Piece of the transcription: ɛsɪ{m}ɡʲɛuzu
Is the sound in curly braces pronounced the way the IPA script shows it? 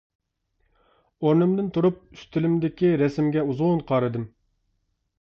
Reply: yes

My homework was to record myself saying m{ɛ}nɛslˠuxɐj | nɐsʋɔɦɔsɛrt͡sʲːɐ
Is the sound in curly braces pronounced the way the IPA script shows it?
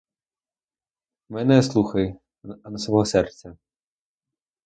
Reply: yes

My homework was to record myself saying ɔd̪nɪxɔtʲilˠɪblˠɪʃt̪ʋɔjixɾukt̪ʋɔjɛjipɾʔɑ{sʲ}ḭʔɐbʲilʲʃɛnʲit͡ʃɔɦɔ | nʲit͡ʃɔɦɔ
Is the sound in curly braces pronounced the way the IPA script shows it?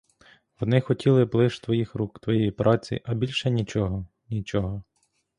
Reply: no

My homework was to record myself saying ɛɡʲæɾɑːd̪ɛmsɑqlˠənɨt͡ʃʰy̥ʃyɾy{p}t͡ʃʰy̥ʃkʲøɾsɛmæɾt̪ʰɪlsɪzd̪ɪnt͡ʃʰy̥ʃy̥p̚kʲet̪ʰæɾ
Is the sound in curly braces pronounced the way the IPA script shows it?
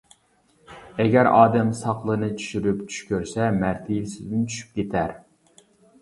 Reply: yes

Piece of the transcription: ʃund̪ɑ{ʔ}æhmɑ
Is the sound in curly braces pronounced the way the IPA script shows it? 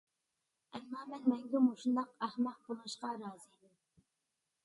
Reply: no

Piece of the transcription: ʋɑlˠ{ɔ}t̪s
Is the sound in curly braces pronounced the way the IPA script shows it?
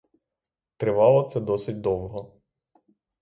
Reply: yes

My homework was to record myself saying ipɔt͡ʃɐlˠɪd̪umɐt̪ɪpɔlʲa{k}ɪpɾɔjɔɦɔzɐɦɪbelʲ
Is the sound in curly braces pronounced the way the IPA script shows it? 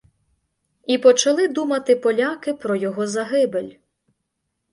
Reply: yes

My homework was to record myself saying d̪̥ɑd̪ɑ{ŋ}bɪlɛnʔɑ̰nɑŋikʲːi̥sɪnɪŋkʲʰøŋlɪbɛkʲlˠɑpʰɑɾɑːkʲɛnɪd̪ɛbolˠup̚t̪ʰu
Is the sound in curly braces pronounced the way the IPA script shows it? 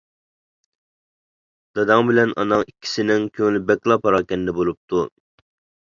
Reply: yes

